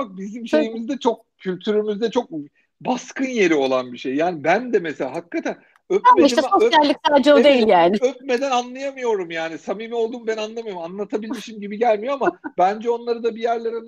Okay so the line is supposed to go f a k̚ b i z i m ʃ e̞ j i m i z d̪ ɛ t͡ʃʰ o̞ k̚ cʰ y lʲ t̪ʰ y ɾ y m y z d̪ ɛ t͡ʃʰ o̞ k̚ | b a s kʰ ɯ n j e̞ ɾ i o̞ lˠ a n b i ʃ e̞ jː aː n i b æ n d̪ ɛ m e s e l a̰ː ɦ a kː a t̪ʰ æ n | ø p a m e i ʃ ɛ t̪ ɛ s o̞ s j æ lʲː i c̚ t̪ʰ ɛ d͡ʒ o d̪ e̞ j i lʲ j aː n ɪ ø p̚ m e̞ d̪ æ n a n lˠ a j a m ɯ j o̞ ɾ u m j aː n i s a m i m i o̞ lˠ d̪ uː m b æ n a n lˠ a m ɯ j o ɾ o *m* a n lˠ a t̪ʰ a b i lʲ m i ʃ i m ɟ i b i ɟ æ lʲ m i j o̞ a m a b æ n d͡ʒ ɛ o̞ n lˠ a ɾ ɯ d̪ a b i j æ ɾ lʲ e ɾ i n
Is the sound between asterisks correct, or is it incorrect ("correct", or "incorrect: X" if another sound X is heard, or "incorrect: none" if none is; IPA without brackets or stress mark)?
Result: correct